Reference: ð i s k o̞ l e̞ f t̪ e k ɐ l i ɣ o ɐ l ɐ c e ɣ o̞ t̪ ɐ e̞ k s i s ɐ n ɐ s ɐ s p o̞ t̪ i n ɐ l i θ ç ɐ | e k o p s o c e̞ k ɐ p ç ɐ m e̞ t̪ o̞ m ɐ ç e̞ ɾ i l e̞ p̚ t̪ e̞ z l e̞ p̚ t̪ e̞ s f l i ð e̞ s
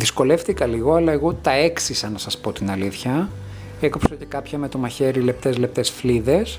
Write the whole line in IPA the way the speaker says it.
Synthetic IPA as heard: ð i s k o̞ l e̞ f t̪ i k ɐ l i ɣ o ɐ l ɐ e ɣ o̞ t̪ ɐ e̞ k s i s ɐ n ɐ s ɐ s p o̞ t̪ i n ɐ l i θ ç ɐ | e k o p s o c e̞ k ɐ p ç ɐ m e̞ t̪ o̞ m ɐ ç e̞ ɾ i l e̞ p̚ t̪ e̞ z l e̞ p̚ t̪ e̞ s f l i ð e̞ s